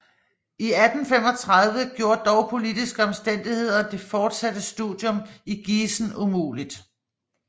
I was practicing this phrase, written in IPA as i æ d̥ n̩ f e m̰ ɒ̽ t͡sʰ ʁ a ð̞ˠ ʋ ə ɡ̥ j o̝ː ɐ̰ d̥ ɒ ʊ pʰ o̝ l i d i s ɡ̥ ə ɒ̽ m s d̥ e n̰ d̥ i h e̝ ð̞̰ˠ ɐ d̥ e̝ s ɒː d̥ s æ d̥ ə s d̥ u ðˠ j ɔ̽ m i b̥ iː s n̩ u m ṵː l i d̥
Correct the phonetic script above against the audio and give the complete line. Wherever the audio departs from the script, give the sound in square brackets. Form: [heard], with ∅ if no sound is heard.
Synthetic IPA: i æ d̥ n̩ f e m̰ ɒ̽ t͡sʰ ʁ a ð̞ˠ ʋ ə ɡ̥ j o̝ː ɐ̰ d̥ ɒ ʊ pʰ o̝ l i d i s ɡ̥ ə ɒ̽ m s d̥ e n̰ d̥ i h e̝ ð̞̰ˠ ɐ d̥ e̝ [f] ɒː d̥ s æ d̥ ə s d̥ u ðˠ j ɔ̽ m i [ɡ̥] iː s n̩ u m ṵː l i d̥